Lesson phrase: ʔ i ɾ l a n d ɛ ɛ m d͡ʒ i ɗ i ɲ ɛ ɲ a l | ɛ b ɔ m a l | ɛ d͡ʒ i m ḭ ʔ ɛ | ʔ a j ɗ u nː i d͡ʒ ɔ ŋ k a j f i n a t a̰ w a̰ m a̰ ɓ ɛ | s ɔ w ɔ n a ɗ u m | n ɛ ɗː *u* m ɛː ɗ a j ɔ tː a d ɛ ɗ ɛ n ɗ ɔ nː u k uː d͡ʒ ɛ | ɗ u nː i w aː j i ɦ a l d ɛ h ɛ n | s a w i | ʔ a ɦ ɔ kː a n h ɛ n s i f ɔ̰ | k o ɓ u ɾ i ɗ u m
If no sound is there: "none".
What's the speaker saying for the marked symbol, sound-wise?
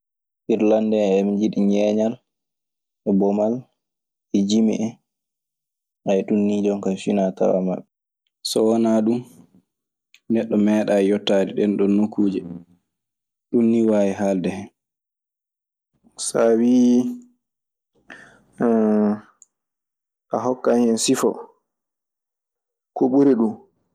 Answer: ɔ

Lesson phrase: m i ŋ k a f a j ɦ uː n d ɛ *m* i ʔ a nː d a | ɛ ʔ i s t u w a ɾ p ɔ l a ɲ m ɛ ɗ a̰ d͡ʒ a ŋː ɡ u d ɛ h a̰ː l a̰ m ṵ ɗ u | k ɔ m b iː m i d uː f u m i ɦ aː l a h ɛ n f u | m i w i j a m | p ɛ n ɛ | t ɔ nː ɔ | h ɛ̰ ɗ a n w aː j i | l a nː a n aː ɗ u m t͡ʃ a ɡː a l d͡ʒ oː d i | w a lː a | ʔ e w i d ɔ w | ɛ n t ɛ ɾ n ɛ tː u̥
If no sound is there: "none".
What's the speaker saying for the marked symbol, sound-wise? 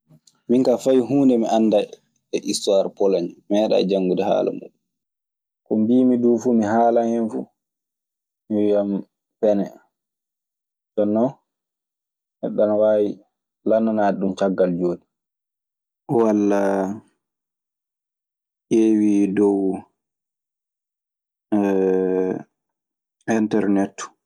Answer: m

